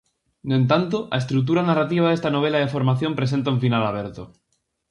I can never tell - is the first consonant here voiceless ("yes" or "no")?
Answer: no